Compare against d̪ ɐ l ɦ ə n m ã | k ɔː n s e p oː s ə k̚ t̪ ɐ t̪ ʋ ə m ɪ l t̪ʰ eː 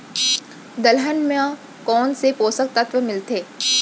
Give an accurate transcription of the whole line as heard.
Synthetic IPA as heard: d̪ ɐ l ɦ ə n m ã | k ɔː n s e p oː s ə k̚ t̪ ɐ t̪ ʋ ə m ɪ l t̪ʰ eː